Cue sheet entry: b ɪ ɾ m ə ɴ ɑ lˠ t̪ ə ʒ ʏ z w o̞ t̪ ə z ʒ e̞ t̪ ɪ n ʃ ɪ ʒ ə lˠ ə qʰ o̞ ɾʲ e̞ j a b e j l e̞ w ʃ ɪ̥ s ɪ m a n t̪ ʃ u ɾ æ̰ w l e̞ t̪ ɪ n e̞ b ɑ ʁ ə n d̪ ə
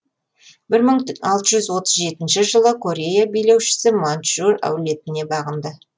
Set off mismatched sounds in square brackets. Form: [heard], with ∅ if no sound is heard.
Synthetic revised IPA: b ɪ ɾ m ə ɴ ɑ lˠ t̪ ə ʒ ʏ z w o̞ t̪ ə z ʒ e̞ t̪ ɪ n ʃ ɪ ʒ ə lˠ ə [kʰ] o̞ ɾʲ e̞ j a b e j l e̞ w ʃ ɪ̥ s ɪ m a n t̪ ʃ u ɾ æ̰ w l e̞ t̪ ɪ n e̞ b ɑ ʁ ə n d̪ ə